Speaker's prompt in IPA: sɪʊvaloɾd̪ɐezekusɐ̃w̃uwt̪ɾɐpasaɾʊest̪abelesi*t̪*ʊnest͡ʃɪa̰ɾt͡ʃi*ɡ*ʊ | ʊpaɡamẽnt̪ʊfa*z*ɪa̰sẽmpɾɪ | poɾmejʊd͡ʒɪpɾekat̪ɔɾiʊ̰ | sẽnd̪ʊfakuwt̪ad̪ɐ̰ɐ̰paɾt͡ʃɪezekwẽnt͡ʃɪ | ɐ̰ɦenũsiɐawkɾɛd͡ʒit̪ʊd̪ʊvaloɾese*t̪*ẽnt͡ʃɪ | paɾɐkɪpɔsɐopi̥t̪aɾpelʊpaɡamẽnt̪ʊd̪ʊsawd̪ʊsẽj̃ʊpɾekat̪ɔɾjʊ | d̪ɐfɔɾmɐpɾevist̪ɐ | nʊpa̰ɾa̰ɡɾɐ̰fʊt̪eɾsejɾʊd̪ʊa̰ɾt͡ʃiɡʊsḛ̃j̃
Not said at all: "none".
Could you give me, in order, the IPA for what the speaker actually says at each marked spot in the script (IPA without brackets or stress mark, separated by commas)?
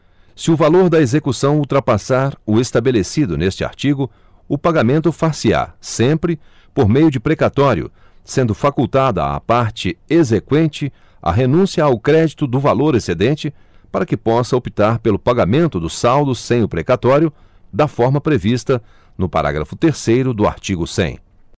d̪, ɡ, s, d̪